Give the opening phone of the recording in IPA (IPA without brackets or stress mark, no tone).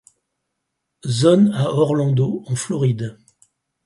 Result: z